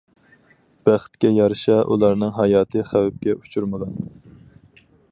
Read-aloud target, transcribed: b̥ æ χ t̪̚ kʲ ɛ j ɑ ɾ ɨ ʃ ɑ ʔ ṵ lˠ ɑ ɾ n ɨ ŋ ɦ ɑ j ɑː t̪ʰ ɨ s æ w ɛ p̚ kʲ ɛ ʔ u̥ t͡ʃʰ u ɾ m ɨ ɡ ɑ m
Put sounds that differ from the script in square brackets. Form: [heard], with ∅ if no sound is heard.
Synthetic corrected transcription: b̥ æ χ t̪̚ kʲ ɛ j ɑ ɾ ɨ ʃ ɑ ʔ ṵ lˠ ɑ ɾ n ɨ ŋ ɦ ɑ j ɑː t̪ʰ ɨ [χ] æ w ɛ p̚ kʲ ɛ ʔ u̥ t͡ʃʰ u ɾ m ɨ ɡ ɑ [n]